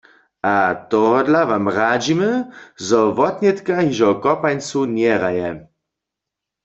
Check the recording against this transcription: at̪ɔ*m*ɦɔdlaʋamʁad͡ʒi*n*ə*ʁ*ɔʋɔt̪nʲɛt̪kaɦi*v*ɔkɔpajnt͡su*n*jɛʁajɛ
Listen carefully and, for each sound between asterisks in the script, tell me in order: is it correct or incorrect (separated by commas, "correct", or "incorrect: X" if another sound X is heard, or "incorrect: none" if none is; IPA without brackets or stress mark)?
incorrect: none, incorrect: m, incorrect: z, incorrect: ʒ, correct